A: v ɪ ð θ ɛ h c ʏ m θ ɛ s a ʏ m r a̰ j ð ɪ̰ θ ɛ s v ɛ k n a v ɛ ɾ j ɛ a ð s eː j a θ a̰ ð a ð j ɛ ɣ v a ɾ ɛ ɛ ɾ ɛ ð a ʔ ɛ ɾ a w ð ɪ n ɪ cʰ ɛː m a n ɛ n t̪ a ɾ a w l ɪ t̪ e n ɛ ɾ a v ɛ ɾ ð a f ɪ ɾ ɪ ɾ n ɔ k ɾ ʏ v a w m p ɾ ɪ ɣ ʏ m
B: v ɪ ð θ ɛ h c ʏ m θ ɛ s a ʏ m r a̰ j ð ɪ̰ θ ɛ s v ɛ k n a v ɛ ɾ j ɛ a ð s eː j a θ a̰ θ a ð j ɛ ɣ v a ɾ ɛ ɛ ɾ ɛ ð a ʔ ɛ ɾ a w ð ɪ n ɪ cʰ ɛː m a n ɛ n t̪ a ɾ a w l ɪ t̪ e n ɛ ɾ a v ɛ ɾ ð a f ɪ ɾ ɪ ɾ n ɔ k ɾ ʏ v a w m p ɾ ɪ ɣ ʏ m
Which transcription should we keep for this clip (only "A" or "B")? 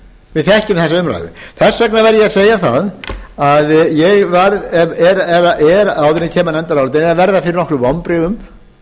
A